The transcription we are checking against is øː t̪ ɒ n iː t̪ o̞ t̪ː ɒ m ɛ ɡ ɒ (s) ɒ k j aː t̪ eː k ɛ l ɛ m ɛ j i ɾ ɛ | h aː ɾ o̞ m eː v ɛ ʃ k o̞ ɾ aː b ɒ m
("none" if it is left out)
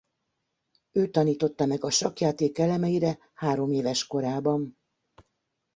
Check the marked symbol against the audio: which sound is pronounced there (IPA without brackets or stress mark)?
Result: ʃ